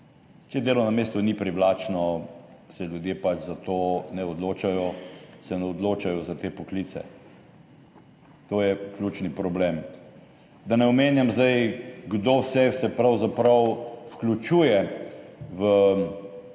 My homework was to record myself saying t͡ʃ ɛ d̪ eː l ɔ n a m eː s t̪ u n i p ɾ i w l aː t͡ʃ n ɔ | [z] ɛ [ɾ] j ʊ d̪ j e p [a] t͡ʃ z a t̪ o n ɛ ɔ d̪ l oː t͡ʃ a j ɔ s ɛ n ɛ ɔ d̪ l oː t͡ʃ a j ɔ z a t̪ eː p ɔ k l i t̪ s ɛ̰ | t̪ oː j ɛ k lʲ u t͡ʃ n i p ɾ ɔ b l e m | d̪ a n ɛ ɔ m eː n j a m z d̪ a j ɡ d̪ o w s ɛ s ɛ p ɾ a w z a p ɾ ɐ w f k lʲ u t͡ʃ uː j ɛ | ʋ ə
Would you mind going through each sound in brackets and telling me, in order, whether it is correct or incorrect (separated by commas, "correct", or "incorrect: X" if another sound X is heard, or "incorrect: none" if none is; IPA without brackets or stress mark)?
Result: incorrect: s, incorrect: l, correct